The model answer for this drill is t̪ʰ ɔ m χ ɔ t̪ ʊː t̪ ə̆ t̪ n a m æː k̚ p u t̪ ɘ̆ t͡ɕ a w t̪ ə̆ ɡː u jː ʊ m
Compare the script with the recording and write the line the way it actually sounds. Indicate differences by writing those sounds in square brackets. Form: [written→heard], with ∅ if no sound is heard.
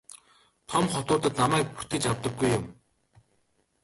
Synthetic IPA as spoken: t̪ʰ ɔ m χ ɔ t̪ ʊː t̪ ə̆ t̪ n a m æː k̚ p u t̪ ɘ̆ t͡ɕ a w t̪ ə̆ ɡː u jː ʊ m